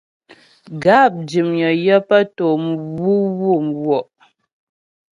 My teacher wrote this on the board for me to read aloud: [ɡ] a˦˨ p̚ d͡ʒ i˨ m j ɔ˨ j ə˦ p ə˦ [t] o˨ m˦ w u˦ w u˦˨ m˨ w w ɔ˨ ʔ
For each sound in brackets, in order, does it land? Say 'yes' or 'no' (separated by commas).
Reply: yes, yes